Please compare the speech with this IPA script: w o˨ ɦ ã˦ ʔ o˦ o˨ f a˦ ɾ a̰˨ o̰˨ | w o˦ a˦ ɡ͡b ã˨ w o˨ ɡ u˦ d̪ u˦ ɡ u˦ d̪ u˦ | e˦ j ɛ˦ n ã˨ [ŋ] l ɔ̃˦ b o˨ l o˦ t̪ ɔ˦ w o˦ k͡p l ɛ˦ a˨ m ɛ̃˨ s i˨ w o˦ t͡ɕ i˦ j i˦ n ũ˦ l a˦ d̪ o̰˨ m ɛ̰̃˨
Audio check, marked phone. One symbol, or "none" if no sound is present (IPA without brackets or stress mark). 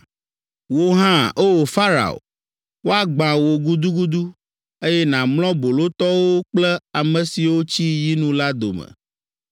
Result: m